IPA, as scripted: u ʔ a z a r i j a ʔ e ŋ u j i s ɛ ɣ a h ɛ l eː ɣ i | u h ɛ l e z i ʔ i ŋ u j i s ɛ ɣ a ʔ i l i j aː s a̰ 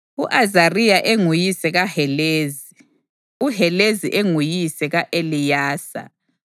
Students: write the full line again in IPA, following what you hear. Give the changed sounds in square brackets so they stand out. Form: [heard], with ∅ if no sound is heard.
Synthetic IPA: u ʔ a z a r i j a ʔ e ŋ u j i s ɛ ɣ a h ɛ l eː [z] i | u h ɛ l e z i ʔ [e] ŋ u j i s ɛ ɣ a ʔ [e] l i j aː s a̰